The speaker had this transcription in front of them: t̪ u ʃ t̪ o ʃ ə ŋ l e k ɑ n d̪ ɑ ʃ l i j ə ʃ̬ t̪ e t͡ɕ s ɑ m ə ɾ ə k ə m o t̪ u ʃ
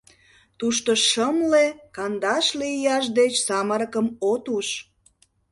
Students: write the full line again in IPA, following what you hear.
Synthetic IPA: t̪ u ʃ t̪ o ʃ ə m l e k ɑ n d̪ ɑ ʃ l i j ɑ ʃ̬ d̪ e t͡ɕ s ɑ m ə ɾ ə k ə m o t̪ u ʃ